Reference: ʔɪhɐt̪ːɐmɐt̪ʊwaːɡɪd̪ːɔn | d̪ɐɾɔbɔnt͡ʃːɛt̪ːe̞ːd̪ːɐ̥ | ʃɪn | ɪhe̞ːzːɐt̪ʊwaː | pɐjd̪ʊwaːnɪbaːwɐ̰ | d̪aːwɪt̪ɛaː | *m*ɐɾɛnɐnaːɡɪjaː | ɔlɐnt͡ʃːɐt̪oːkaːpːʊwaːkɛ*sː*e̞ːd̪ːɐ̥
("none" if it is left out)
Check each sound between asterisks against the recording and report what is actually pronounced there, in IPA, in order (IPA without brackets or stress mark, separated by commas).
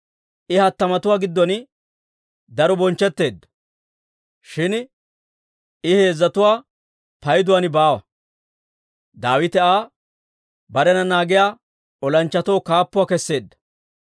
b, sː